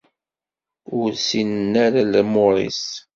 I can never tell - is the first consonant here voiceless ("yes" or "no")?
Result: no